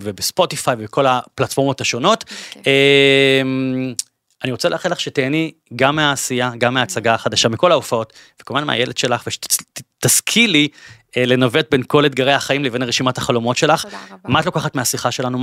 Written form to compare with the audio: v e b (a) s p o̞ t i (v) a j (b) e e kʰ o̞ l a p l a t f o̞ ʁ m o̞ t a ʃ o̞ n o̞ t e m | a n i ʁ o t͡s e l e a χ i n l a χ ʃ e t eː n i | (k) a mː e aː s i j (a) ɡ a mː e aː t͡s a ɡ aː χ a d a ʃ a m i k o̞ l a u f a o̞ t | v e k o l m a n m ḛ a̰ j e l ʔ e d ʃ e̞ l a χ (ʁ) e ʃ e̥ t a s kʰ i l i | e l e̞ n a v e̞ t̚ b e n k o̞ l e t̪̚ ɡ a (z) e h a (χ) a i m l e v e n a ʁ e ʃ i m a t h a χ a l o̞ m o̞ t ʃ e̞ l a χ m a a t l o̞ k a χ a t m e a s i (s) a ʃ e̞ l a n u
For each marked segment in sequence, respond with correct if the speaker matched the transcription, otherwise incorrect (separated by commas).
incorrect, incorrect, incorrect, incorrect, correct, incorrect, incorrect, correct, incorrect